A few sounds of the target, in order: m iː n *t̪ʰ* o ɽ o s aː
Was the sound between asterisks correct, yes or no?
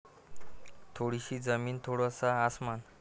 yes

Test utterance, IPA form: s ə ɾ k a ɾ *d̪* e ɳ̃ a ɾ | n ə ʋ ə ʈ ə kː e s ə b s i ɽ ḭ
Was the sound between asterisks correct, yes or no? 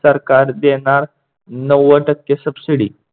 yes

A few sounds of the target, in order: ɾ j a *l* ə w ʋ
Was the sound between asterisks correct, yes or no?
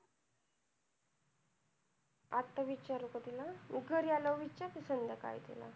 yes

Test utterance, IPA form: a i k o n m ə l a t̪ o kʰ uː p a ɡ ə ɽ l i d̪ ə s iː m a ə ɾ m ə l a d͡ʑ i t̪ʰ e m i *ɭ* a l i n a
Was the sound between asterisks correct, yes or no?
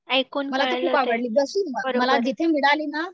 no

